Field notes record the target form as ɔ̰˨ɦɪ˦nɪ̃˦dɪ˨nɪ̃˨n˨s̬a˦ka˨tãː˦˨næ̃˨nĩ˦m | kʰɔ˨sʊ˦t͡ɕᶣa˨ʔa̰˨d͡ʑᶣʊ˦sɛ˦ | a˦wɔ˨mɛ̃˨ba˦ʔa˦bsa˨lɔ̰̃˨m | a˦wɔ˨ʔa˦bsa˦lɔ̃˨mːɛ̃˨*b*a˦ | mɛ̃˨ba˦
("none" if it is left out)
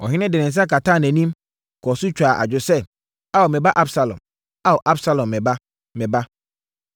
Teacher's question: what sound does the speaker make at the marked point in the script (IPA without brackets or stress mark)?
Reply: b